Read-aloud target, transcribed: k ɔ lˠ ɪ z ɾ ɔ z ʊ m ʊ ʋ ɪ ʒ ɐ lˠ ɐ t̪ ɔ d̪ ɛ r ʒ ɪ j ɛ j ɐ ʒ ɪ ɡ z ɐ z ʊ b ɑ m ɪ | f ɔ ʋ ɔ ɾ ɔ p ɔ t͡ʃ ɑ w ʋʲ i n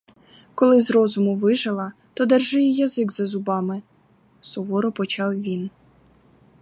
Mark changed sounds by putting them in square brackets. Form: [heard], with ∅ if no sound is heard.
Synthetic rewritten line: k ɔ lˠ ɪ z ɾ ɔ z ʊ m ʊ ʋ ɪ ʒ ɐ lˠ ɐ t̪ ɔ d̪ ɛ r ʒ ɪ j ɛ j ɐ [z] ɪ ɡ z ɐ z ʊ b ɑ m ɪ | [s] ɔ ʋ ɔ ɾ ɔ p ɔ t͡ʃ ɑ w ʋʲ i n